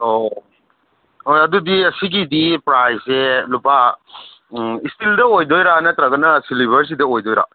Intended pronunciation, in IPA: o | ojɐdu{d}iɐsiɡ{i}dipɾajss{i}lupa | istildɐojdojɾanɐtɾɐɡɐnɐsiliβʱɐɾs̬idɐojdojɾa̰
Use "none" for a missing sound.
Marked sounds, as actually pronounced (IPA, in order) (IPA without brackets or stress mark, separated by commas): d, i, e